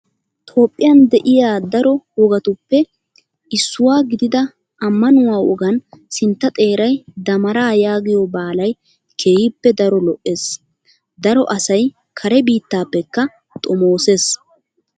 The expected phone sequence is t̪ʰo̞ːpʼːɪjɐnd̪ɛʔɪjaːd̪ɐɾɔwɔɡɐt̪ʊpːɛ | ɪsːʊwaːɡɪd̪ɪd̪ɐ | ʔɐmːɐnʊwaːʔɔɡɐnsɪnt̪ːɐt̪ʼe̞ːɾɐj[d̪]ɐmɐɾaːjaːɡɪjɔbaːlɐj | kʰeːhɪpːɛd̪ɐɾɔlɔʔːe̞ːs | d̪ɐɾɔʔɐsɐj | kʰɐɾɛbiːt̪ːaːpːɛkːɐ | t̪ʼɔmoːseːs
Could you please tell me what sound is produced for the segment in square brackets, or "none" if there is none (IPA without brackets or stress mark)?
d̪